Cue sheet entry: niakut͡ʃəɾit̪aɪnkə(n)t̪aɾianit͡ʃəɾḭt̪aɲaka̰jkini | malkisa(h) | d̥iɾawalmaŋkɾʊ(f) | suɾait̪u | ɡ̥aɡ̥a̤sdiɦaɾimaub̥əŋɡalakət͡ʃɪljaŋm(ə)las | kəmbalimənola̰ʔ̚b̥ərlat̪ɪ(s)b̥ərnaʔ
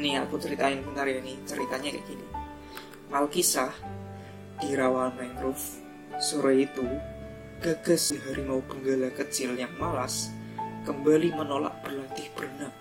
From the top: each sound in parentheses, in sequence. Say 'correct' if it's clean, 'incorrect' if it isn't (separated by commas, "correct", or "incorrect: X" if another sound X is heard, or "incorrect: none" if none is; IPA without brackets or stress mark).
correct, correct, correct, incorrect: a, incorrect: h